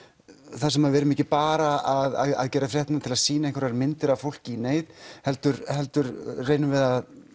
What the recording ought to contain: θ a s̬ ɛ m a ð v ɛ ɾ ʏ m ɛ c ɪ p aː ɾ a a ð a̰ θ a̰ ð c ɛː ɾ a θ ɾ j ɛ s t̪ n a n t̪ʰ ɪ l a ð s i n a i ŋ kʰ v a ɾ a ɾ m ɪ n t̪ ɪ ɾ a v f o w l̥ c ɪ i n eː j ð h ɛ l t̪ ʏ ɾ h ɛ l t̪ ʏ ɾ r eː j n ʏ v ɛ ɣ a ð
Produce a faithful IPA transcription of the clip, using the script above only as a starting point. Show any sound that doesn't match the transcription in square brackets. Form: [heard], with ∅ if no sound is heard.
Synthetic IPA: θ a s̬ ɛ m a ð v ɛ ɾ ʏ m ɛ c ɪ p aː ɾ a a ð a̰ [ð] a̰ ð c ɛː ɾ a [f] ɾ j ɛ [h] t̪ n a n t̪ʰ ɪ l a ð s [iː] n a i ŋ [k] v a ɾ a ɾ m ɪ n t̪ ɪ ɾ a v f o w l̥ c ɪ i n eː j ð h ɛ l t̪ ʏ ɾ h ɛ l t̪ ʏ ɾ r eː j n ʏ v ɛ [ð] a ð